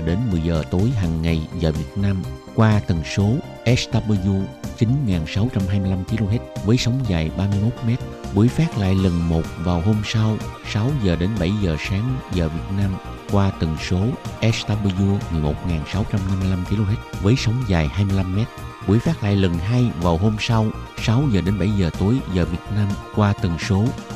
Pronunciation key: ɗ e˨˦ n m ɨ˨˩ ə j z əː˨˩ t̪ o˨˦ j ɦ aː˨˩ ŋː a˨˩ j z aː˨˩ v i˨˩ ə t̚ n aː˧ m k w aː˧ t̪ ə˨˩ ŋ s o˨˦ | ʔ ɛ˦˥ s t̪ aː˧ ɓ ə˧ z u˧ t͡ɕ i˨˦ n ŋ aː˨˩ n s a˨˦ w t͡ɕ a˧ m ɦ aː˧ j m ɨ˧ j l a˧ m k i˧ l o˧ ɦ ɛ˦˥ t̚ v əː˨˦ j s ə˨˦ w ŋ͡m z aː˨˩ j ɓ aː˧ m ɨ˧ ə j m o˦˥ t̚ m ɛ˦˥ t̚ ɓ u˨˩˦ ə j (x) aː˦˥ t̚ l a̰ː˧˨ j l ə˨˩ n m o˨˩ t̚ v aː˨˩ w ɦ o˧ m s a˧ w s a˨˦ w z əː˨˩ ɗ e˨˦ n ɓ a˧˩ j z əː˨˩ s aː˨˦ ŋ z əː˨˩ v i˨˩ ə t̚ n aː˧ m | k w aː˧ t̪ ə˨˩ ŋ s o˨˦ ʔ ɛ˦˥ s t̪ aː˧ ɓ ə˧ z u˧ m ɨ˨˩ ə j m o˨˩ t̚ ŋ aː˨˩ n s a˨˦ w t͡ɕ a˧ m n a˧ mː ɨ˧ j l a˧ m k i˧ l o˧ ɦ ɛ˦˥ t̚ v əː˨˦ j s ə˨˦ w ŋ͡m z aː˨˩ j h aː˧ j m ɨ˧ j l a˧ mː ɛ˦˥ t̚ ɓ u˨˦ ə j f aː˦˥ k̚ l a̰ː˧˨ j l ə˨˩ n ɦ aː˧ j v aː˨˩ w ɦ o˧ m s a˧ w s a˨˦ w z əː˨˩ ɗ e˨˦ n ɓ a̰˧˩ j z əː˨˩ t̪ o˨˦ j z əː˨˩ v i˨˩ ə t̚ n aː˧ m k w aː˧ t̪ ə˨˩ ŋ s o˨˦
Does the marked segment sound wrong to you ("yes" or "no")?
yes